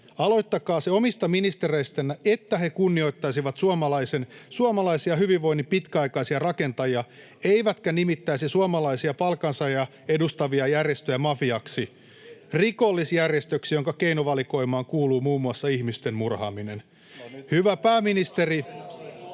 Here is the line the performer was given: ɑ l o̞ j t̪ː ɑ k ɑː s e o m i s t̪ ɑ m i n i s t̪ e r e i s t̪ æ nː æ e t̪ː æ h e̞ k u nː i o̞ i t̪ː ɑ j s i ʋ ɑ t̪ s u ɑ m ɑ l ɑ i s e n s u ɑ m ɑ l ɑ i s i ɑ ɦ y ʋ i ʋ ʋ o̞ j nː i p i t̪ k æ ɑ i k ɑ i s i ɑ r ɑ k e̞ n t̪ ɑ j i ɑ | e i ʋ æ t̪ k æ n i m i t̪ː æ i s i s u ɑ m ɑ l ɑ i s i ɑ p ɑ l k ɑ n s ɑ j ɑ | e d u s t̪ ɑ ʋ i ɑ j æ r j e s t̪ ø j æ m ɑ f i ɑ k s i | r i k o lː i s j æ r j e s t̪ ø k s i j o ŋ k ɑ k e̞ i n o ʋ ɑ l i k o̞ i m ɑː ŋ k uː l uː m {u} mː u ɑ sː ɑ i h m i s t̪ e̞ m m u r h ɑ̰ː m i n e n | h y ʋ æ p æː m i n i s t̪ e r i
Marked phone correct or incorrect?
incorrect: uː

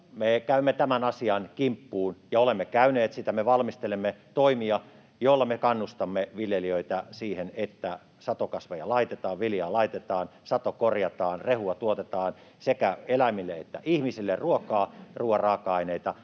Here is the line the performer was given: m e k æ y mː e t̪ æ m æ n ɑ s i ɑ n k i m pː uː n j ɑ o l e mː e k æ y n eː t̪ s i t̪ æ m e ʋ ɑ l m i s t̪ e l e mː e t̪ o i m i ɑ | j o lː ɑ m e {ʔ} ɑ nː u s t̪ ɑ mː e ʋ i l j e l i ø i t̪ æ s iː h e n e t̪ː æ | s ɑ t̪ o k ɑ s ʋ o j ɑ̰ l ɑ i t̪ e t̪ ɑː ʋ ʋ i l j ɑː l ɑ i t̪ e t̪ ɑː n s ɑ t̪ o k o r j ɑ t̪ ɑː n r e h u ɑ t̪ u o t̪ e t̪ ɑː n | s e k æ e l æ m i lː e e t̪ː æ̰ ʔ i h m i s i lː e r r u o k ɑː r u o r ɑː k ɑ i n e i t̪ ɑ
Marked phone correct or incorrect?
incorrect: k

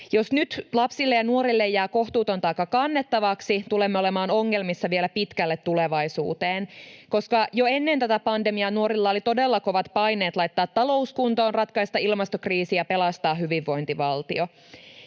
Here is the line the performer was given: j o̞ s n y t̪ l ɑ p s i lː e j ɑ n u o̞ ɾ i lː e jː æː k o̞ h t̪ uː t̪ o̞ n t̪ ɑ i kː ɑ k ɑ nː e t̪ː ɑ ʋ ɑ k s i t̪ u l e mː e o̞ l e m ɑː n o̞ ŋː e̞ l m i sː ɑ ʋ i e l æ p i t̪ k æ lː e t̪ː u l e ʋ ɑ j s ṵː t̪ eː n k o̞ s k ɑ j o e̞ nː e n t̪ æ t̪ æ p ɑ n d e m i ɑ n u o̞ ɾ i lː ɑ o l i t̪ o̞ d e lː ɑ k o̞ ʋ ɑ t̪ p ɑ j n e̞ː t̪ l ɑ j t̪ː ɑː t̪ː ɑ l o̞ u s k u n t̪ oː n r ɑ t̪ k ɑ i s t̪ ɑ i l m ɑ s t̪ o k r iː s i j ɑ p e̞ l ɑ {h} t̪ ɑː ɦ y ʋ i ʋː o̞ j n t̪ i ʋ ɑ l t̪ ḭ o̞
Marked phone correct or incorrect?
incorrect: s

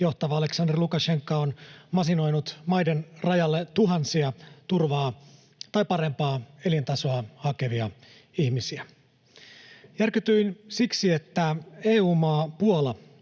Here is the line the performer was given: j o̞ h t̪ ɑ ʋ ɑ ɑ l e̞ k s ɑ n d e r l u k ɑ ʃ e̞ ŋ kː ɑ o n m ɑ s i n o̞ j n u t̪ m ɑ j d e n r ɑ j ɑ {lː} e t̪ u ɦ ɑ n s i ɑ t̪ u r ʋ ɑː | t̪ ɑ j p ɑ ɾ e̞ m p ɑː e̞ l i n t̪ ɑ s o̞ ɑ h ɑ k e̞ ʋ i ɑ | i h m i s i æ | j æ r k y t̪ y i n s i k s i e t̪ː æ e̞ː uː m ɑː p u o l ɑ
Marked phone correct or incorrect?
correct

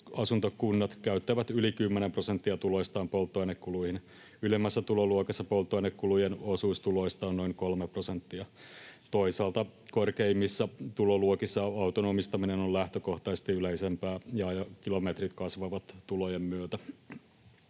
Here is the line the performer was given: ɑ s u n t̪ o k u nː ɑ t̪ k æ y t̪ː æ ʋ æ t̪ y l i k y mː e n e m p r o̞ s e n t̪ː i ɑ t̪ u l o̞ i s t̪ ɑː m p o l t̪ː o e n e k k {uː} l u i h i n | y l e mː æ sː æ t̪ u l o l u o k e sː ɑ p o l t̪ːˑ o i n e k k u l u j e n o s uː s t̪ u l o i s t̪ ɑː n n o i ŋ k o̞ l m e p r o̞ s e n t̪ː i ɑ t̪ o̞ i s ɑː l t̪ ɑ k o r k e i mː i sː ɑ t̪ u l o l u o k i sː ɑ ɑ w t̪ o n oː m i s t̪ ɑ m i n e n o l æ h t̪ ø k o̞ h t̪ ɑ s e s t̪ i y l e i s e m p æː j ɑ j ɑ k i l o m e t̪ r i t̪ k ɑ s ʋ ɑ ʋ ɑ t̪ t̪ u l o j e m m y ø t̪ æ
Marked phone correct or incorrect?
incorrect: u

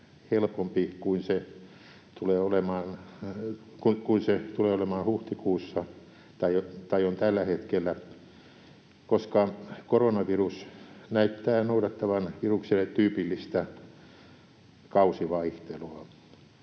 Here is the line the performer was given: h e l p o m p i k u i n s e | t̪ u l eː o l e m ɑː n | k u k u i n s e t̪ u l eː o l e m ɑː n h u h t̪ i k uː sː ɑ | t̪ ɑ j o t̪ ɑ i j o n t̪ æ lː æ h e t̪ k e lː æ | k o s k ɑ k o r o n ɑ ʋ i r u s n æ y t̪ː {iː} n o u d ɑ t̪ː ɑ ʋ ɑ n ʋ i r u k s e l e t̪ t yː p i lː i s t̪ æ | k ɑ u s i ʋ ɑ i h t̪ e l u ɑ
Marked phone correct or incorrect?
incorrect: æː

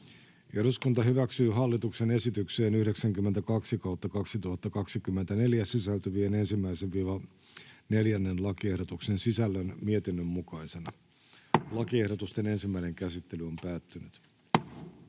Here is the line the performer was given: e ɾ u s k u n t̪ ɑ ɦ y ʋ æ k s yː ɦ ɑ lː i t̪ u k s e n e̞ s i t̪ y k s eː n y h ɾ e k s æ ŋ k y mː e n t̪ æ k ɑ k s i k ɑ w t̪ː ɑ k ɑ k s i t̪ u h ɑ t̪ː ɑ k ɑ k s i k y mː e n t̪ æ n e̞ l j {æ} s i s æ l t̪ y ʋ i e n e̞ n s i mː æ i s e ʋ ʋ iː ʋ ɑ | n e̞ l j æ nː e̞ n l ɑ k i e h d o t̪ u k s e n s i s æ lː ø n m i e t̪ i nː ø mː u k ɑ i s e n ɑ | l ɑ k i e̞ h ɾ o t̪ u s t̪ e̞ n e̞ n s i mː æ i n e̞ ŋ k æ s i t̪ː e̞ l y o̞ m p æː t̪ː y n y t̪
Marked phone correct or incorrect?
correct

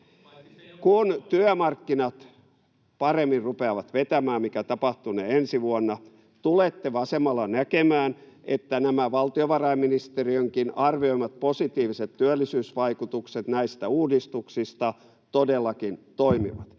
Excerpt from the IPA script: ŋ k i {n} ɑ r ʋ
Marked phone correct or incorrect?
correct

